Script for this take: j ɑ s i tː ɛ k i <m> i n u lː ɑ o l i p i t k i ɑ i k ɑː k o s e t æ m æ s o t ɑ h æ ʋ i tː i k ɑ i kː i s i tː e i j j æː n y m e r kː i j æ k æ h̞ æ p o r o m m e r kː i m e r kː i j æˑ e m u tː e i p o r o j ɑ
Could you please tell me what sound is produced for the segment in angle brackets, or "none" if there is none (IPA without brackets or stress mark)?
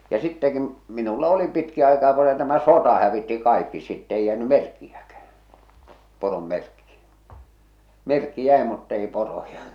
m